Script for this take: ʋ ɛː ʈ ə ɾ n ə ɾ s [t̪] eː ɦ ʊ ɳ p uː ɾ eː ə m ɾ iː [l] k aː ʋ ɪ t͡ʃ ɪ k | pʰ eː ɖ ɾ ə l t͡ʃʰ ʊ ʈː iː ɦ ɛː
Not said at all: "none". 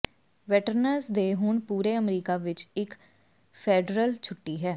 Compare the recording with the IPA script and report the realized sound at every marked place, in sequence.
d̪, none

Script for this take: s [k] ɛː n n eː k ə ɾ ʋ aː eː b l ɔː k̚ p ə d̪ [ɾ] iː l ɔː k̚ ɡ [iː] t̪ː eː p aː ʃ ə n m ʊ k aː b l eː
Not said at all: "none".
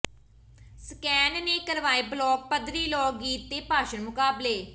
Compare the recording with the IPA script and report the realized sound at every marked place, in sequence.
k, ɾ, iː

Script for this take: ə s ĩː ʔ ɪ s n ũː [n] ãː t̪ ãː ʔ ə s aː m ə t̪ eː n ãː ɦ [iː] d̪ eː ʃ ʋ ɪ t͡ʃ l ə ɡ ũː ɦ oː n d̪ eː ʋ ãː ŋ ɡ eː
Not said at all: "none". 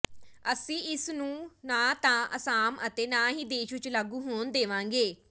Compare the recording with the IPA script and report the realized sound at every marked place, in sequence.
n, iː

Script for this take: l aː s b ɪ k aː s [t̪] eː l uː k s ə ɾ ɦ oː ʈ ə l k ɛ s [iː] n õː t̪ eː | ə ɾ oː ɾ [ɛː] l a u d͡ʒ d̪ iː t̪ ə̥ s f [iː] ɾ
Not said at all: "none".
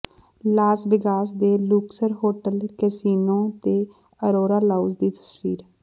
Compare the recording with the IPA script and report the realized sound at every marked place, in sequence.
d̪, iː, aː, iː

